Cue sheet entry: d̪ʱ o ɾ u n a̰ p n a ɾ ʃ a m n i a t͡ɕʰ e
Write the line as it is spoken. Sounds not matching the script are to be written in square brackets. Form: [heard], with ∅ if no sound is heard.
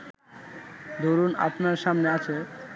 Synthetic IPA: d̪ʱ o ɾ u n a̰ p n a ɾ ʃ a m n [e] a t͡ɕʰ e

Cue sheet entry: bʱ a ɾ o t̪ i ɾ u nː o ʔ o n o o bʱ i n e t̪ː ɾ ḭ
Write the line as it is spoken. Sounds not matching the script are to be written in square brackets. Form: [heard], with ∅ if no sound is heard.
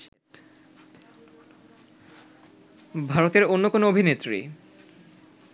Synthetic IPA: bʱ a ɾ o t̪ [e] ɾ [o] nː o [k] o n o o bʱ i n e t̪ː ɾ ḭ

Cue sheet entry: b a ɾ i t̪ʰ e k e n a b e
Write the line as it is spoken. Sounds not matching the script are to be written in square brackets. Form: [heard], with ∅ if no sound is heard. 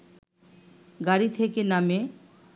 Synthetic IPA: [ɡ] a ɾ i t̪ʰ e k e n a [m] e

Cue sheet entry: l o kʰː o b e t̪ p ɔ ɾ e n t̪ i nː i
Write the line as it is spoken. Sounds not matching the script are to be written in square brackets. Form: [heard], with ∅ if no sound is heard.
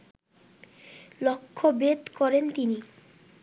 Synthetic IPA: l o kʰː o b e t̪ [k] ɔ ɾ e n t̪ i [n] i

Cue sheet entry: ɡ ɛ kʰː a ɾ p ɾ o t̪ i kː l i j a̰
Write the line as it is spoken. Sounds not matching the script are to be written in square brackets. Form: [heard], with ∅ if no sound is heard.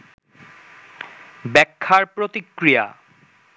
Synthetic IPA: [b] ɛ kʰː a ɾ p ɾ o t̪ i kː [ɾ] i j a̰

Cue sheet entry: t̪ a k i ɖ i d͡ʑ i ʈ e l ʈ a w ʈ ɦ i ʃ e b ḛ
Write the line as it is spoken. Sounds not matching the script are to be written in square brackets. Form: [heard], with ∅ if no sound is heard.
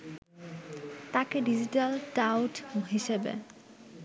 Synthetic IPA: t̪ a k [e] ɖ i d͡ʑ i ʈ [a] l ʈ a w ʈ ɦ i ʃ e b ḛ

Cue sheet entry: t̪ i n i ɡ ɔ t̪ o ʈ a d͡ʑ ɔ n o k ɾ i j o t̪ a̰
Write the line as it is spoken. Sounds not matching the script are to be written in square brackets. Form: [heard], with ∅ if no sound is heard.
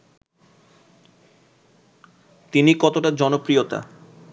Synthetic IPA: t̪ i n i [k] ɔ t̪ o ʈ a d͡ʑ ɔ n o [p] ɾ i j o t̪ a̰

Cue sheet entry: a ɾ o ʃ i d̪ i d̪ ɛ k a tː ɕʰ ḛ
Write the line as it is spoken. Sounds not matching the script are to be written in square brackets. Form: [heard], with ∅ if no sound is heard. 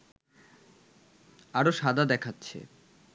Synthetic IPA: a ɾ o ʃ [a] d̪ [a] d̪ ɛ [kʰ] a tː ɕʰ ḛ

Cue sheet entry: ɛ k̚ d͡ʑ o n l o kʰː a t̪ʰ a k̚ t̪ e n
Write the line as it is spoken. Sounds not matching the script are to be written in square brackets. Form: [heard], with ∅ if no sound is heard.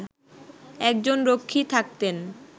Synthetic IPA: ɛ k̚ d͡ʑ o n [ɾ] o kʰː [i] t̪ʰ a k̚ t̪ e n

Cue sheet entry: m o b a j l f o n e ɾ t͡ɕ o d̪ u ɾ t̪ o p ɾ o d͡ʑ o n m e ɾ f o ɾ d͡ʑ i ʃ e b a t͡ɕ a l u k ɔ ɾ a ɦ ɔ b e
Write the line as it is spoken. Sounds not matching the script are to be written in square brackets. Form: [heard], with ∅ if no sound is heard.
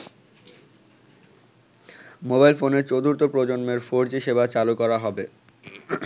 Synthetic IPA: m o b a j l f o n e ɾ t͡ɕ o d̪ u ɾ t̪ o p ɾ o d͡ʑ o n m e ɾ f o ɾ d͡ʑ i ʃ e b a t͡ɕ a l u k ɔ ɾ a ɦ ɔ b e

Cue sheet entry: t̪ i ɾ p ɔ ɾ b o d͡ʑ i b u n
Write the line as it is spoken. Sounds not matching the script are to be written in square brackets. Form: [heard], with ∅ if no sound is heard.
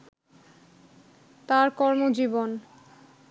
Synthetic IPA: t̪ [a] ɾ [k] ɔ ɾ [m] o d͡ʑ i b [o] n

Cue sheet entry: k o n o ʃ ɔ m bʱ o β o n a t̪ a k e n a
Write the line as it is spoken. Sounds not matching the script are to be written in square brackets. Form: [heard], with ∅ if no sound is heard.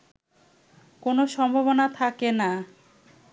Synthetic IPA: k o n o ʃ ɔ m bʱ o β o n a [t̪ʰ] a k e n a

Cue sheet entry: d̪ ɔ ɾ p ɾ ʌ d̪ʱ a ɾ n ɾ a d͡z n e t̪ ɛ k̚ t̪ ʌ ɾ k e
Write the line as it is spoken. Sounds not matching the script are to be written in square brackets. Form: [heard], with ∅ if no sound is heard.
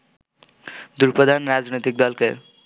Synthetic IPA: d̪ [u] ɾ p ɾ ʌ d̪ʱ a [∅] n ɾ a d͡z n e t̪ [i] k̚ [d̪] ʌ [l] k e

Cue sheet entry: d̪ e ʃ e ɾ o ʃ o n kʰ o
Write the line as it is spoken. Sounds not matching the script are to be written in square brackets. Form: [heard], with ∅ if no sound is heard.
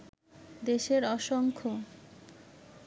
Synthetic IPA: d̪ e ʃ e ɾ [ɔ] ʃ o [ŋ] kʰ o

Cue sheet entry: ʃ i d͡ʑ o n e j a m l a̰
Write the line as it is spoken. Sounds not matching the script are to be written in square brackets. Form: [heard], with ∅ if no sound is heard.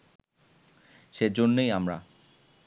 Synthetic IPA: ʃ [e] d͡ʑ o [nː] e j a m [ɾ] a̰

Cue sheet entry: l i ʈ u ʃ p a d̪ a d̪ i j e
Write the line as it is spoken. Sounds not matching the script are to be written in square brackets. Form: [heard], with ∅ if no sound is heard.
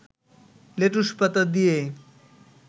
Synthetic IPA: l [e] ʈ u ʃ p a [t̪] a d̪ i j e

